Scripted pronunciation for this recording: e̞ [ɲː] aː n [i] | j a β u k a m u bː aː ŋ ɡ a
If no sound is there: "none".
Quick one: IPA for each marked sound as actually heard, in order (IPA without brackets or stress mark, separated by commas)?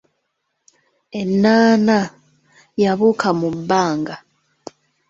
nː, a